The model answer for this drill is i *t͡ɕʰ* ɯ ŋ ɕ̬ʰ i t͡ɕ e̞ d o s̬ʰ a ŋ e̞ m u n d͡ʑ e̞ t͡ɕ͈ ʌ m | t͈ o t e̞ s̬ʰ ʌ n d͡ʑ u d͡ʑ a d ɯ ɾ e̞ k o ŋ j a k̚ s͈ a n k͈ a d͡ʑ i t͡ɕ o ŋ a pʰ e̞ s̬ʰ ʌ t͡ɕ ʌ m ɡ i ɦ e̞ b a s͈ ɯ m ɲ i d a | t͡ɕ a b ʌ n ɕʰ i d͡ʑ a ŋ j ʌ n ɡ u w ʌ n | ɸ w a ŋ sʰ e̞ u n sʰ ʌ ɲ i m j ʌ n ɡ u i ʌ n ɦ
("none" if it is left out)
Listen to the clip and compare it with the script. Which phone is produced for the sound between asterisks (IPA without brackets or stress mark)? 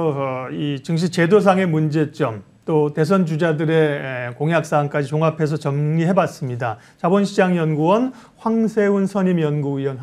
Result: t͡ɕ